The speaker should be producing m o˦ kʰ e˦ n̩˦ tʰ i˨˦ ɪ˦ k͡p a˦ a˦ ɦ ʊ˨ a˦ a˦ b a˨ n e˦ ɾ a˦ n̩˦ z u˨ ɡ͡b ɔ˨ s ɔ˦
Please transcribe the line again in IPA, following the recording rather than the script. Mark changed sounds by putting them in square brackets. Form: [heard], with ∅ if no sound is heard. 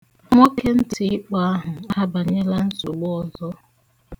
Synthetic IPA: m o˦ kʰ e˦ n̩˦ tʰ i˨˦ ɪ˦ k͡p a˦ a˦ ɦ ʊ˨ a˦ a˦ b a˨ [ɲ] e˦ [l] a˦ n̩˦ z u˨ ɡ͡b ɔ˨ [z] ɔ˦